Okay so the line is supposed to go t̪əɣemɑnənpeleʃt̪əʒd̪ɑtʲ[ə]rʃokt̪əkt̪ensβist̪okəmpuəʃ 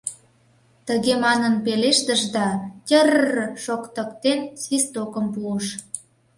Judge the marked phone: correct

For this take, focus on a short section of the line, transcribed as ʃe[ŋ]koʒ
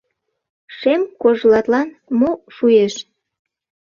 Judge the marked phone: incorrect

